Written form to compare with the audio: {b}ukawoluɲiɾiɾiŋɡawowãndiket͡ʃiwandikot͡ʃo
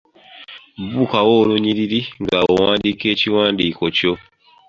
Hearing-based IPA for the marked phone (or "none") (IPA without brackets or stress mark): b